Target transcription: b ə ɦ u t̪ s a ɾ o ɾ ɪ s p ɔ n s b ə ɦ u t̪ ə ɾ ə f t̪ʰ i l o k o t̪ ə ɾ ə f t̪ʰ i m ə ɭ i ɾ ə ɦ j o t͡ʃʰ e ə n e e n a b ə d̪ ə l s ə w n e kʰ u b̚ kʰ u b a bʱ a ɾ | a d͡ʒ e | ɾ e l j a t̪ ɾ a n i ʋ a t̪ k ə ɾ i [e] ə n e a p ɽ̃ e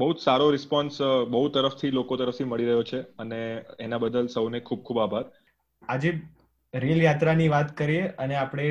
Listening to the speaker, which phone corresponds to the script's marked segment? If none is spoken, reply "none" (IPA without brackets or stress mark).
e